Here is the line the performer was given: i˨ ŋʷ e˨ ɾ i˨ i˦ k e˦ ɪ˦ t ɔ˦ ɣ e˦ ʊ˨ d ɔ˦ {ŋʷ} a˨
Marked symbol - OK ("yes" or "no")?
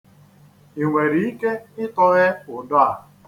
no